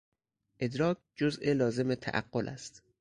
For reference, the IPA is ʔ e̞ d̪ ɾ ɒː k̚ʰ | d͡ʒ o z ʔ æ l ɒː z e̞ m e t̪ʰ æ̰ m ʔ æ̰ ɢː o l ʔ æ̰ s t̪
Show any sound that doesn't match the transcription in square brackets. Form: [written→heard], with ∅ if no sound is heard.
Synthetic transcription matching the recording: ʔ e̞ d̪ ɾ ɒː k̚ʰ | d͡ʒ o z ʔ [æ→e] l ɒː z e̞ m e t̪ʰ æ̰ [m→∅] ʔ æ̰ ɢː o l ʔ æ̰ s t̪